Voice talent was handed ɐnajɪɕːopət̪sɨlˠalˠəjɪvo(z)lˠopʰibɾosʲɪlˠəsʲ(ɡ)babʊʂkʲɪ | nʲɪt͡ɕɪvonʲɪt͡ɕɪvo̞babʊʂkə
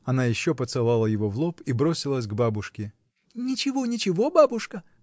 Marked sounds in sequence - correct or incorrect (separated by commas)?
incorrect, correct